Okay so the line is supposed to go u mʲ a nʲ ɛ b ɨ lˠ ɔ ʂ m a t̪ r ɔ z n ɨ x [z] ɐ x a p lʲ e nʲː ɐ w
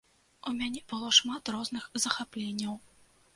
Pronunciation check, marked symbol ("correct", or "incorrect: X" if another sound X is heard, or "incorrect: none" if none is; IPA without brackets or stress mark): correct